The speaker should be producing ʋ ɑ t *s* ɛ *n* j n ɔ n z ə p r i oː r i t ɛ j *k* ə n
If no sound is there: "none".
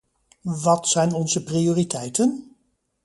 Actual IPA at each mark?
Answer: s, none, t

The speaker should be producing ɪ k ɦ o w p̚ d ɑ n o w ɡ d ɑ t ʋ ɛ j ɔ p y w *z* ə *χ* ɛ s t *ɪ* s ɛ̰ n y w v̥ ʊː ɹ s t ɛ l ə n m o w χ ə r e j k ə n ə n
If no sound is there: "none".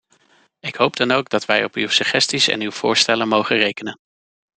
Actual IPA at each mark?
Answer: s, χ, i

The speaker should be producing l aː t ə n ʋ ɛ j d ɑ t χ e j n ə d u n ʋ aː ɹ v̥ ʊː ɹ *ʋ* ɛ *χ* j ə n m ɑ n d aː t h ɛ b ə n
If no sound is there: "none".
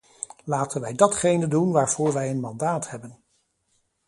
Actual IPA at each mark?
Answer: ʋ, none

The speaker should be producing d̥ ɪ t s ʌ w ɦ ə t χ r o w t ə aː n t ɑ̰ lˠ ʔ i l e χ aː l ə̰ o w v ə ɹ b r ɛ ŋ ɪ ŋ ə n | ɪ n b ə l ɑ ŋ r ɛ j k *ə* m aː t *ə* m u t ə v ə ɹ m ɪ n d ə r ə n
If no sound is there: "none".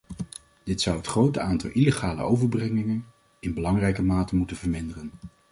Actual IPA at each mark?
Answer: ə, ə

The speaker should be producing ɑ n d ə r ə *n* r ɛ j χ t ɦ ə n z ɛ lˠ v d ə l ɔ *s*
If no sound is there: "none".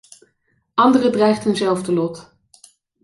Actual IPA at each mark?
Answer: d, t

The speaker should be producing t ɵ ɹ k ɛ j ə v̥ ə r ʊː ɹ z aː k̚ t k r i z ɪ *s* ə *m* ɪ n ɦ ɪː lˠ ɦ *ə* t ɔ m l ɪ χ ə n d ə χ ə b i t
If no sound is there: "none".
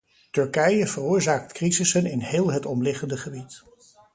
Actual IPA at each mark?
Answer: s, n, ə

